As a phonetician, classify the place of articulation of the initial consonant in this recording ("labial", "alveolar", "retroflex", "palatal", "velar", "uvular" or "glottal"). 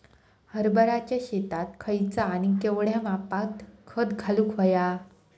glottal